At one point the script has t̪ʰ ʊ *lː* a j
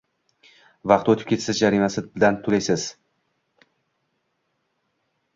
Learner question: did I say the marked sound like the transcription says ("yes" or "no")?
no